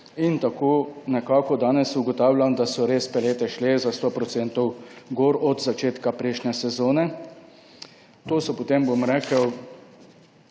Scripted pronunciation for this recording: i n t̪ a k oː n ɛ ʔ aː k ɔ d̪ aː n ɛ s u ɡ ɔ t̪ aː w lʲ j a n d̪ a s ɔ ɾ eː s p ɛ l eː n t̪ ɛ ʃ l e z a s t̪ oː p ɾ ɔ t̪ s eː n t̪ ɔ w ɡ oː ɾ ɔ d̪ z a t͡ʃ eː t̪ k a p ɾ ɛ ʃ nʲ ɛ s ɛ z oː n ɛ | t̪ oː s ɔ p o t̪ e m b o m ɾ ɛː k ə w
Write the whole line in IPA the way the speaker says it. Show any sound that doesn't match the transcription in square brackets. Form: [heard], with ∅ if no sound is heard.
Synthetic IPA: i n t̪ a k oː n ɛ [k] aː k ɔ d̪ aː n ɛ s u ɡ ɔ t̪ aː w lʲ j a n d̪ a s ɔ ɾ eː s p ɛ l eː [∅] t̪ ɛ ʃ l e z a s t̪ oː p ɾ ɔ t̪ s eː n t̪ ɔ w ɡ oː ɾ ɔ d̪ z a t͡ʃ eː t̪ k a p ɾ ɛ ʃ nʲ ɛ s ɛ z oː n ɛ | t̪ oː s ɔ p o t̪ e m b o m ɾ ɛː k ə w